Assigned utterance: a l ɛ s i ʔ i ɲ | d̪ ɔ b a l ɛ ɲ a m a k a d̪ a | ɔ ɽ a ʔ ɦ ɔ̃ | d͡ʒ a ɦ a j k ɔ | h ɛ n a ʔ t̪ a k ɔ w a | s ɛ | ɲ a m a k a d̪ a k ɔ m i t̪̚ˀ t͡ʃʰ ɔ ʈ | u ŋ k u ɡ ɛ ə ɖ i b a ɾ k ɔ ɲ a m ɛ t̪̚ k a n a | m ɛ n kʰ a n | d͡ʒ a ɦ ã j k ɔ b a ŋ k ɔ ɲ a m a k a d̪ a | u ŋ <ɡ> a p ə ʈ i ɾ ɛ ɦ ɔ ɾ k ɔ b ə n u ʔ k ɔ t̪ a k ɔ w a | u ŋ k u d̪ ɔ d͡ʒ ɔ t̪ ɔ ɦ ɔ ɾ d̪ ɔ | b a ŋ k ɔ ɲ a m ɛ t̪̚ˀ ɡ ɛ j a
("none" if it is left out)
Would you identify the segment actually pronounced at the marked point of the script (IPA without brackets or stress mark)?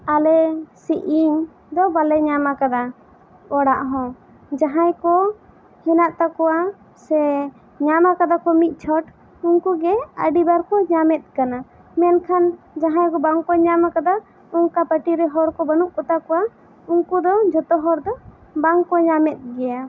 k